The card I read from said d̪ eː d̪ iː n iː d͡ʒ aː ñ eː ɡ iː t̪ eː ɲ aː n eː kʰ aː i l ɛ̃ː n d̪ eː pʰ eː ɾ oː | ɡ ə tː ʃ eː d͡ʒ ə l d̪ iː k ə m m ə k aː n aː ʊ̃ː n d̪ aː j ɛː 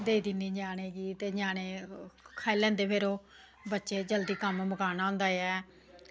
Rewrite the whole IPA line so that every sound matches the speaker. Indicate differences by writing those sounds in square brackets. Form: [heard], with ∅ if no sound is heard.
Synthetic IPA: d̪ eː d̪ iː n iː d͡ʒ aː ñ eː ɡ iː t̪ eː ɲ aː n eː kʰ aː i l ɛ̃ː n d̪ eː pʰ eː ɾ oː | [b] ə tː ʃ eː d͡ʒ ə l d̪ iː k ə m m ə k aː n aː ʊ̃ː n d̪ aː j ɛː